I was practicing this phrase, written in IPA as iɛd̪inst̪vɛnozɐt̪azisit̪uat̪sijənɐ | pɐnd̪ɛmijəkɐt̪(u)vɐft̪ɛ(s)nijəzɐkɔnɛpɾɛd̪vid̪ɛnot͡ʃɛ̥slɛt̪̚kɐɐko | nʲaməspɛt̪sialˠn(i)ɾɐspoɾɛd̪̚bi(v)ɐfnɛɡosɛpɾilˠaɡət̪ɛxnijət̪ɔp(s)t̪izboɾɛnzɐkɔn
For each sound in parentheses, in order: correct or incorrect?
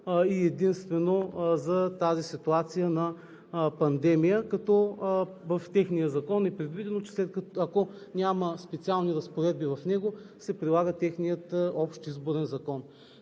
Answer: incorrect, incorrect, correct, correct, incorrect

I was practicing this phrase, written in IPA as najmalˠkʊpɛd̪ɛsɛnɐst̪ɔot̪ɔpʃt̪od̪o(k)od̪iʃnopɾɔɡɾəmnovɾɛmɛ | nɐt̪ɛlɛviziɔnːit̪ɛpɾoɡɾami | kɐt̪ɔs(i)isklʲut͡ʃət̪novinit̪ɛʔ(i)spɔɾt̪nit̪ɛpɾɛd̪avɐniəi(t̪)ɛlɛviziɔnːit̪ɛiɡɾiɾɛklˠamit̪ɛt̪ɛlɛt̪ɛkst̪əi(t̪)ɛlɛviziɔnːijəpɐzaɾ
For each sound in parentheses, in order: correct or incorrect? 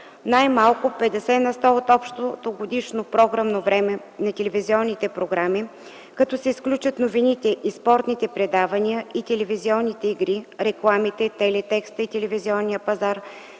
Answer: incorrect, incorrect, correct, correct, correct

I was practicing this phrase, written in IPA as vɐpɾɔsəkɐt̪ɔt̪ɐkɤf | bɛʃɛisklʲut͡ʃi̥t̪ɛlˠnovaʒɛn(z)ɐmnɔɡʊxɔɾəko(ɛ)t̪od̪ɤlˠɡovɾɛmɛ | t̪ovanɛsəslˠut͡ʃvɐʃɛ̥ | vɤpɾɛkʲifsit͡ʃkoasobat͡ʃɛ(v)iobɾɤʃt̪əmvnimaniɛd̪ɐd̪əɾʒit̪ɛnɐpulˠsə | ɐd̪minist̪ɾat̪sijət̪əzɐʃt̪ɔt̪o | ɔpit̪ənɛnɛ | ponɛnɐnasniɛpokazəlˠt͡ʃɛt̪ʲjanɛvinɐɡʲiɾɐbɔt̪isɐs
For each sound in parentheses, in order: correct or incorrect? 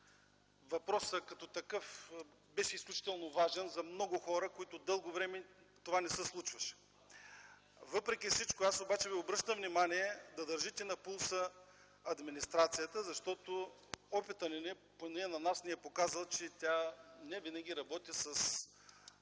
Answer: correct, incorrect, correct

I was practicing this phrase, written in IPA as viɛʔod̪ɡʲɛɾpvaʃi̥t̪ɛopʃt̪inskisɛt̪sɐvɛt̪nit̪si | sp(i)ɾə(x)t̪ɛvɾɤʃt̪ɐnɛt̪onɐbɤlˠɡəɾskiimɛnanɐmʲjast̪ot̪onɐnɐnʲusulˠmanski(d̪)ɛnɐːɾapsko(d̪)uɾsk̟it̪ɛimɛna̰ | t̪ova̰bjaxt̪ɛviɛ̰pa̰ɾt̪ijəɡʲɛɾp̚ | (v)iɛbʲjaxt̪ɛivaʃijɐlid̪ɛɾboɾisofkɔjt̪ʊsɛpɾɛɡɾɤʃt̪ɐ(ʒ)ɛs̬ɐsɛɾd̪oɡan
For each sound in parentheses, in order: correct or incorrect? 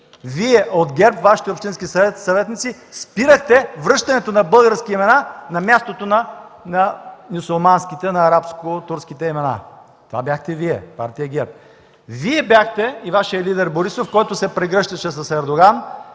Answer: correct, correct, incorrect, incorrect, correct, incorrect

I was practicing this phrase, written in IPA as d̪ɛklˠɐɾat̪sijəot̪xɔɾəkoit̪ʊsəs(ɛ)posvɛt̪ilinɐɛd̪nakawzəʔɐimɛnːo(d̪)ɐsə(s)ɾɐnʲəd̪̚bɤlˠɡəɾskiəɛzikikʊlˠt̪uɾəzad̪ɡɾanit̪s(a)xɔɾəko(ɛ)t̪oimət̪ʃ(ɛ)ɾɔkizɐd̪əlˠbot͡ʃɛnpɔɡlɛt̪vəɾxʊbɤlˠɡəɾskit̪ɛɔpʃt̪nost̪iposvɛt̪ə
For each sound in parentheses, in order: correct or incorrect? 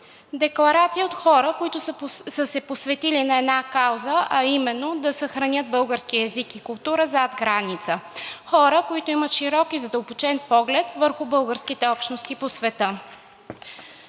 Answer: correct, correct, incorrect, incorrect, incorrect, incorrect

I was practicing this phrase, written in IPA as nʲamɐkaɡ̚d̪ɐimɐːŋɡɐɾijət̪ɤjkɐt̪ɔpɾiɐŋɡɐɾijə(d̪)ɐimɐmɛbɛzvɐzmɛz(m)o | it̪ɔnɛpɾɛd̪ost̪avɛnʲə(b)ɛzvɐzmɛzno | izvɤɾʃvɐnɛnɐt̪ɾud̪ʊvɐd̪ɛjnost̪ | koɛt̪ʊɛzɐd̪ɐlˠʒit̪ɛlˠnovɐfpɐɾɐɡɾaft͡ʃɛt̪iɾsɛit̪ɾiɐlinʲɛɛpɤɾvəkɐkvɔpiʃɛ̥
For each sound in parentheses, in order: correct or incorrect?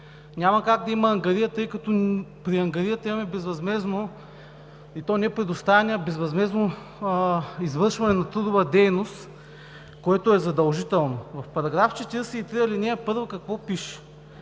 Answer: incorrect, incorrect, correct

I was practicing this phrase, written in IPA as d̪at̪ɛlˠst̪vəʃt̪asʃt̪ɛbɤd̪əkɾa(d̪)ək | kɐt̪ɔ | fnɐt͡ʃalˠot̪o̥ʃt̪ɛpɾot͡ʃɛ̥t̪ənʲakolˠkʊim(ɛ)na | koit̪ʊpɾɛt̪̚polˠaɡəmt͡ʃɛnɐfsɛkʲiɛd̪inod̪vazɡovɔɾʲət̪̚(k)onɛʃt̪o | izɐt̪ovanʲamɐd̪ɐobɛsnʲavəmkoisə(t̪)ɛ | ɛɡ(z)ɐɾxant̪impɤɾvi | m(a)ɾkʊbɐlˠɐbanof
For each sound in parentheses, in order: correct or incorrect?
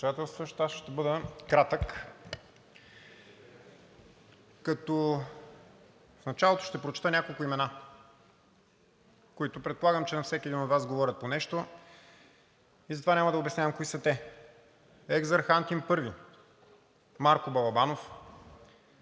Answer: incorrect, correct, incorrect, correct, correct, correct

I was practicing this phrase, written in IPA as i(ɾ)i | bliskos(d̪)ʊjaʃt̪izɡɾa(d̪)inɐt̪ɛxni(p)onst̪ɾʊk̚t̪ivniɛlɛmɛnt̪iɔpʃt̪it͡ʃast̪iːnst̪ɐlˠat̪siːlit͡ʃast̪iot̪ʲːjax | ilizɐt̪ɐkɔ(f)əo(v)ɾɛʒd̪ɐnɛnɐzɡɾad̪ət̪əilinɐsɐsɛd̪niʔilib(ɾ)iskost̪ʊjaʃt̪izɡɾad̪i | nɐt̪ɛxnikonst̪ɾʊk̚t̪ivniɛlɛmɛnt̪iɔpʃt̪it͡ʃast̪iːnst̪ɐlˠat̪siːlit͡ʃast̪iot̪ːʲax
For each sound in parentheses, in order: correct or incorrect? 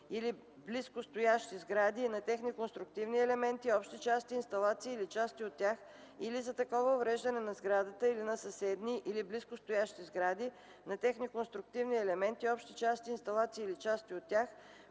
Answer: incorrect, incorrect, correct, incorrect, incorrect, correct, incorrect

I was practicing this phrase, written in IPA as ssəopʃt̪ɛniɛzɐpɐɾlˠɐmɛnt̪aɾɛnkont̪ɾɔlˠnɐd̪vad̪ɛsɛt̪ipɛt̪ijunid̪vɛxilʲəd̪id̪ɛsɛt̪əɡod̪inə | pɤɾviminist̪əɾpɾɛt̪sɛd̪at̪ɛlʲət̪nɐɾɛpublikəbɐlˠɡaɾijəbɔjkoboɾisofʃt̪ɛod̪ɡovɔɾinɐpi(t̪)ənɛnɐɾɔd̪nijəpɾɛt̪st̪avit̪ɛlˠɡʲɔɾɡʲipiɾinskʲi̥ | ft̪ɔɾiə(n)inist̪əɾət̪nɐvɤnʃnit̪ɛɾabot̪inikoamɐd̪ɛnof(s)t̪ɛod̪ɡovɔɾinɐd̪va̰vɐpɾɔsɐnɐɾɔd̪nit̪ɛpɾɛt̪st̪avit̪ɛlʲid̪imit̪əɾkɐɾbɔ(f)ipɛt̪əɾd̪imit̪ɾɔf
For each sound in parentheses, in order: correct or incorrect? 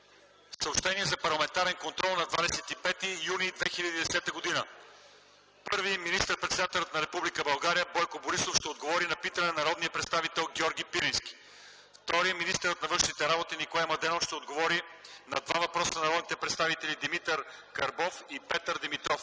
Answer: correct, incorrect, incorrect, correct

